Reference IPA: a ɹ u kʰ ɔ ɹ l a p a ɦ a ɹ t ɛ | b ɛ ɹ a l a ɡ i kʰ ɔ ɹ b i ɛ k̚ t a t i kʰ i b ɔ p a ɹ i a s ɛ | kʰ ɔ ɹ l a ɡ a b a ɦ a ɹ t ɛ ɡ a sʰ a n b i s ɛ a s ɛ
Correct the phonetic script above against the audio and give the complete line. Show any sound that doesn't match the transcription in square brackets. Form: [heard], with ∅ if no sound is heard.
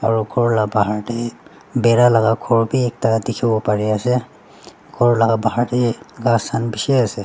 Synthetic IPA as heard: a ɹ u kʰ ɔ ɹ l a [b] a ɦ a ɹ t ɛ | b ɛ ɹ a l a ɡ [a] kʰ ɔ ɹ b i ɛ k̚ t a [d] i kʰ i b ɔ p a ɹ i a s ɛ | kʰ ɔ ɹ l a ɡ a b a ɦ a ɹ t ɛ ɡ a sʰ a n b i s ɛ a s ɛ